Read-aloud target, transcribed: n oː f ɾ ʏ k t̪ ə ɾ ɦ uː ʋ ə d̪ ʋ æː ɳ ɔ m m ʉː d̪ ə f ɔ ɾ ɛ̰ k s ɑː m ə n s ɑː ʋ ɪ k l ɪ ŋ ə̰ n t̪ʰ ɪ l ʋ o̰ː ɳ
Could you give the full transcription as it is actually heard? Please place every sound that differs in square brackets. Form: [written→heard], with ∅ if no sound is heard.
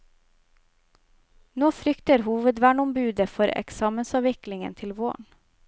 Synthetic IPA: n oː f ɾ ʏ k t̪ ə ɾ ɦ uː ʋ ə d̪ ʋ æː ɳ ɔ m [m→b] ʉː d̪ ə f ɔ ɾ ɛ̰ k s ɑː m ə n s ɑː ʋ ɪ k l ɪ ŋ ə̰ n t̪ʰ ɪ l ʋ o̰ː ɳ